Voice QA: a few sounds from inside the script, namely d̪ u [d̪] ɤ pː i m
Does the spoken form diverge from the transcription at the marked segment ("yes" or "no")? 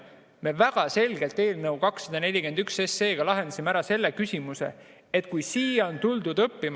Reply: no